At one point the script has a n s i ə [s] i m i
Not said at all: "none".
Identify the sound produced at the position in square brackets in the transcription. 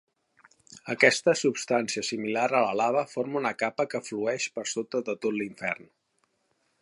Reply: s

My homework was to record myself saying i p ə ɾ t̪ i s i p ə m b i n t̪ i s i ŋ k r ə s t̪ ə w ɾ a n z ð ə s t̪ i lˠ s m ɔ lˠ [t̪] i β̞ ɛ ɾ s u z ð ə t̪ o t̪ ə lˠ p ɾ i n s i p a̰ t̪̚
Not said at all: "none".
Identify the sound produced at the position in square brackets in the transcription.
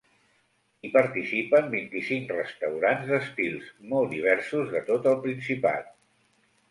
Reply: d̪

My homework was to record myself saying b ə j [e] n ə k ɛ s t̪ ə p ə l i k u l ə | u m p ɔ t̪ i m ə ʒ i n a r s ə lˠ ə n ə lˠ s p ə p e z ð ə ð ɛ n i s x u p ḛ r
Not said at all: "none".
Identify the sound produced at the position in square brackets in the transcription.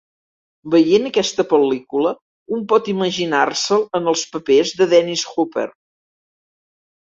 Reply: e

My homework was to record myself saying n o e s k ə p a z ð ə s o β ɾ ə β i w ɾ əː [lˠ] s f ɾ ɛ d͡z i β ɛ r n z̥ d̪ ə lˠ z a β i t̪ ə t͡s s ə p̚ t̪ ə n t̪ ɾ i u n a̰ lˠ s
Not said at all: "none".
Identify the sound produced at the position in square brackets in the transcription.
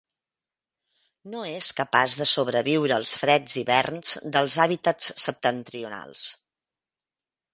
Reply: lˠ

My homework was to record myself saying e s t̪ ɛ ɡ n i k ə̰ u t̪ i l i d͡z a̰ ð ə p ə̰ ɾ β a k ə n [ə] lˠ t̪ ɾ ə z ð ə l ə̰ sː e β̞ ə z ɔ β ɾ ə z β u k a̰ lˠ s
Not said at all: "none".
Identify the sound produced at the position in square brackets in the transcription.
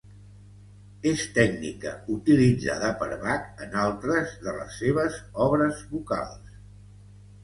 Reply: a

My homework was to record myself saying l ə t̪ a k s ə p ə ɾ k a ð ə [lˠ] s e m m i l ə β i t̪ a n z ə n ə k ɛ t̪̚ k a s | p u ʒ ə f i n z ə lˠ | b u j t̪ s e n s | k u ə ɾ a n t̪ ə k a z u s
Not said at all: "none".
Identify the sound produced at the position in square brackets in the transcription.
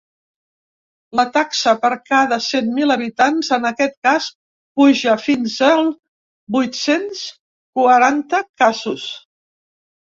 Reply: none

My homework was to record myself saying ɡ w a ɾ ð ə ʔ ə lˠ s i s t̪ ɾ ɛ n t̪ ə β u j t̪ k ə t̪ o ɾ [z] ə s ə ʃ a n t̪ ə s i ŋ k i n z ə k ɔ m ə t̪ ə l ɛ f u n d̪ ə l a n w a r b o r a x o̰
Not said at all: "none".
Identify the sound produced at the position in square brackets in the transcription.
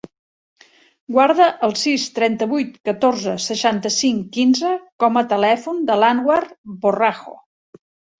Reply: z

